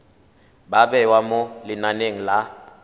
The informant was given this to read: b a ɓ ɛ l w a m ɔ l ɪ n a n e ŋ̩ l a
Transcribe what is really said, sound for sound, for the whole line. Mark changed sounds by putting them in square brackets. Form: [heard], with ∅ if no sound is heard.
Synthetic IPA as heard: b a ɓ ɛ [∅] w a m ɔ l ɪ n a n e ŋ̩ l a